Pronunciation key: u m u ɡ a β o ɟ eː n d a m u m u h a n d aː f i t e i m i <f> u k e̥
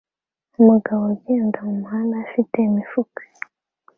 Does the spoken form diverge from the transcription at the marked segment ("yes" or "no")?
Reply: no